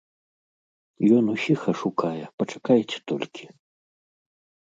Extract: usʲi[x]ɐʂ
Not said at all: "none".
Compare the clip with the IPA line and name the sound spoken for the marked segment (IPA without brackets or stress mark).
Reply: x